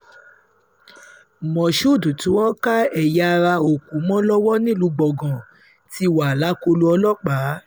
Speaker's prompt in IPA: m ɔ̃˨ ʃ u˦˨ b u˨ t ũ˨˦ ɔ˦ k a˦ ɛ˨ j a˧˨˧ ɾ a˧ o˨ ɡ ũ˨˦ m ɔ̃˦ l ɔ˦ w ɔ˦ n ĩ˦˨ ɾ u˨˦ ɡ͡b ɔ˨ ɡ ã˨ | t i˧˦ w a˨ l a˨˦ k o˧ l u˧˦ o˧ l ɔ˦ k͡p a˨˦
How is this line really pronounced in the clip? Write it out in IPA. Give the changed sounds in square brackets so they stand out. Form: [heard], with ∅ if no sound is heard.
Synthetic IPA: m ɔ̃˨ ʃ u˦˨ [d] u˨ t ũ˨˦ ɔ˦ k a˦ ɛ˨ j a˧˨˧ ɾ a˧ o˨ [k] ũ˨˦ m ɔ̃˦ l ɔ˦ w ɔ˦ n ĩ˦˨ [l] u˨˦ ɡ͡b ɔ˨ ɡ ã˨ | t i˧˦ w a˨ l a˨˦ k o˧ l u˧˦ [ɔ˧] l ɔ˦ k͡p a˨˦